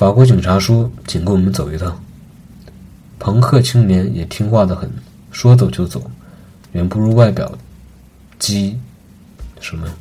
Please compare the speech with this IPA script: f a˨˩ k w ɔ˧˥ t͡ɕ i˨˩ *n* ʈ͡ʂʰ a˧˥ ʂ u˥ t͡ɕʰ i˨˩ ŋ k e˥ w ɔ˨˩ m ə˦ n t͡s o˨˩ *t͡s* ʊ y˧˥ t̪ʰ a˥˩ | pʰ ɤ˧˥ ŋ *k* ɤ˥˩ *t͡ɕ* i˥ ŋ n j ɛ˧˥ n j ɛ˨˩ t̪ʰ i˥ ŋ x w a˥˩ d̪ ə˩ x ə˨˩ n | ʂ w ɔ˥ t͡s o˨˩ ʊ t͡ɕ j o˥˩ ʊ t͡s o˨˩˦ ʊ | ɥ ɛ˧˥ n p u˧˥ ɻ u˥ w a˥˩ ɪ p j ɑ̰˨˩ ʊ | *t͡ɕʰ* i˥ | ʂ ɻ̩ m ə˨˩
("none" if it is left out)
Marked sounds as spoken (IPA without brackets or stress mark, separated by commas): ŋ, none, kʰ, t͡ɕʰ, t͡ɕ